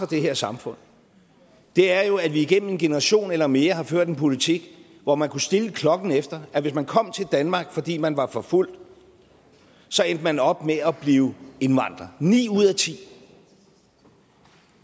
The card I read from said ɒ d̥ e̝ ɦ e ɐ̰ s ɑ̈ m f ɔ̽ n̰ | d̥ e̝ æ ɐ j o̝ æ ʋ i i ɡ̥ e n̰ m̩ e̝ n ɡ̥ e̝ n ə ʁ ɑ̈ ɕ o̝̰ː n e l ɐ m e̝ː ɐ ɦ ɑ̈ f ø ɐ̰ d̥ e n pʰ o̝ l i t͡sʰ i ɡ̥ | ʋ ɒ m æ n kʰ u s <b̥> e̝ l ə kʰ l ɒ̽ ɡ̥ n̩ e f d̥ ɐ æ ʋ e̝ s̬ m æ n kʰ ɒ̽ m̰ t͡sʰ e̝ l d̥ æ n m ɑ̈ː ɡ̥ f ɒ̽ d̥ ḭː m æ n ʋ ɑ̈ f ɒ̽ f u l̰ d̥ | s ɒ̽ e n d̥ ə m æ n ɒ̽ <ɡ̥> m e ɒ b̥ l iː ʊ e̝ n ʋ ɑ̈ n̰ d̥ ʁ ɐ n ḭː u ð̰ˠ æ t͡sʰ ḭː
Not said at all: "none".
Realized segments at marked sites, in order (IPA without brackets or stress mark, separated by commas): d̥, b̥